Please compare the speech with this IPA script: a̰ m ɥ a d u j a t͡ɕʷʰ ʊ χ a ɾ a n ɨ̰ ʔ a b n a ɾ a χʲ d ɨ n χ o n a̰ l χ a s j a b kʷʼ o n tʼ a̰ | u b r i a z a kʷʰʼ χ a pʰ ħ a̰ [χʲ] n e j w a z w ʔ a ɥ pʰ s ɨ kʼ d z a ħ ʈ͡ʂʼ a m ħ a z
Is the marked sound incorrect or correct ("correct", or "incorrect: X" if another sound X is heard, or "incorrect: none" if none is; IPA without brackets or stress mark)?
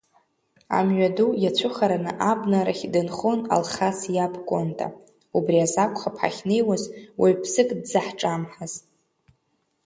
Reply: correct